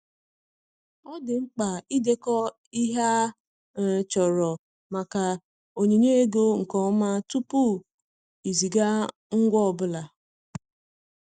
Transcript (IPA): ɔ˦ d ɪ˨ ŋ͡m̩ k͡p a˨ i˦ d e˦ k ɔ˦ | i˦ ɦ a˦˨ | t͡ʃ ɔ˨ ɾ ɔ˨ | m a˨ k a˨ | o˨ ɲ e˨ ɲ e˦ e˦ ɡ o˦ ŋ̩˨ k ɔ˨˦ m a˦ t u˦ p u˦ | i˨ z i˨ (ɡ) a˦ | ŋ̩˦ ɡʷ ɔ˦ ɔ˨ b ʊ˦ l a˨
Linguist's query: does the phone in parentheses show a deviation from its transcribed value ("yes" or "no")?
no